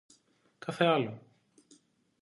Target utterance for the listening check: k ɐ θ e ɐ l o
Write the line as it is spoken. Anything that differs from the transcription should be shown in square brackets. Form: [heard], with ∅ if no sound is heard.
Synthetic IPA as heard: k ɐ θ e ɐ l o